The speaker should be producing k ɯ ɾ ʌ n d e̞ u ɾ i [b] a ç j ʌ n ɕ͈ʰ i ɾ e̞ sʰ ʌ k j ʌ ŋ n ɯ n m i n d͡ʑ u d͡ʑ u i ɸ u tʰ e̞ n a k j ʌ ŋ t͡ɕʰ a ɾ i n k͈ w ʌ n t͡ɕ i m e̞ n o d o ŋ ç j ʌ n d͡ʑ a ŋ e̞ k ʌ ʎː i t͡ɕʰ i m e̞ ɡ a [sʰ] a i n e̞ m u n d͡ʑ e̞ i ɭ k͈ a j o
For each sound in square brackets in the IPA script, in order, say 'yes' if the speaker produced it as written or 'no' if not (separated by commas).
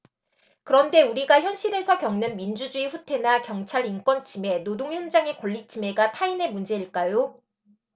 no, no